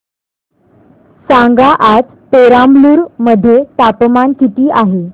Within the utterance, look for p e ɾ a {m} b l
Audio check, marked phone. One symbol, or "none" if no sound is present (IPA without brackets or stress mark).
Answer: m